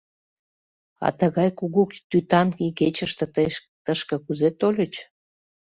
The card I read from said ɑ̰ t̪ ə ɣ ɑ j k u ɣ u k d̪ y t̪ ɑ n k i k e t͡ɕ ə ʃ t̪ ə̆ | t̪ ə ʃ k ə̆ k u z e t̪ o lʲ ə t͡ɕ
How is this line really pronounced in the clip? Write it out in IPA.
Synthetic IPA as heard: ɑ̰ t̪ ə ɣ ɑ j k u ɣ u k t̪ y t̪ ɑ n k i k e t͡ɕ ə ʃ t̪ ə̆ | t̪ ə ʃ k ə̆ k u z e t̪ o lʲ ə t͡ɕ